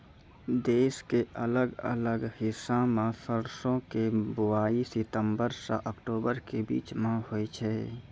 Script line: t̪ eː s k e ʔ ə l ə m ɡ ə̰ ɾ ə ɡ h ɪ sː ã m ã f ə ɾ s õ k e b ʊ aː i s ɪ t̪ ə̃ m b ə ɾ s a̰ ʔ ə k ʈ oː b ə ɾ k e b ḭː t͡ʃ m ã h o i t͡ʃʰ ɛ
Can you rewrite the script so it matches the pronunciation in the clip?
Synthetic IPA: d̪ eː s k e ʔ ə l ə ɡ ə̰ l ə ɡ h ɪ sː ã m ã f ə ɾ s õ k e b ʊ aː i s ɪ t̪ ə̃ m b ə ɾ s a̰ ʔ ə k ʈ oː b ə ɾ k e b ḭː t͡ʃ m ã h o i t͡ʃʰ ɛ